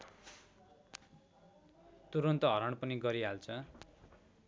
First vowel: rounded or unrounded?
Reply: rounded